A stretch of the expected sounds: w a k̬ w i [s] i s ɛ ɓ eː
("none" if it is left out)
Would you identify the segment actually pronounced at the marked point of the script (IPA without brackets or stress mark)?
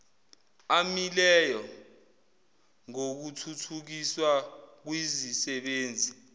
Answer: z